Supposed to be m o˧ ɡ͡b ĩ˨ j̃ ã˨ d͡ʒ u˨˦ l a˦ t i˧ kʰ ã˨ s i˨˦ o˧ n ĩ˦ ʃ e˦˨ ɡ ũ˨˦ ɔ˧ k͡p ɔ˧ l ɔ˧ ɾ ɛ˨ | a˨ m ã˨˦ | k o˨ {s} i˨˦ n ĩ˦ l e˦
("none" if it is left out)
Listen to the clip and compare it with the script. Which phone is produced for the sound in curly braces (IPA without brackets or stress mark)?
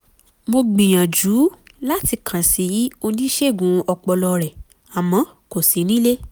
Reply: s